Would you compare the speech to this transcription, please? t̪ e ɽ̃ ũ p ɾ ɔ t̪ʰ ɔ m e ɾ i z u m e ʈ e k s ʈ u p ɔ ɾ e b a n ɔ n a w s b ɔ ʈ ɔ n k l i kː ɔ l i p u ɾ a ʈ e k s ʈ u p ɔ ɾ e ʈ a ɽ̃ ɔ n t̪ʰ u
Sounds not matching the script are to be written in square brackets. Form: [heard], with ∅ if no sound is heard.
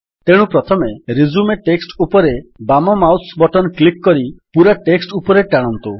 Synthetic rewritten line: t̪ e ɽ̃ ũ p ɾ ɔ t̪ʰ ɔ m e ɾ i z u m e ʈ e k s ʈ u p ɔ ɾ e b a [m] ɔ [m] a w s b ɔ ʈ ɔ n k l i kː ɔ [ɾ] i p u ɾ a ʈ e k s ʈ u p ɔ ɾ e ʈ a ɽ̃ ɔ n [t̪] u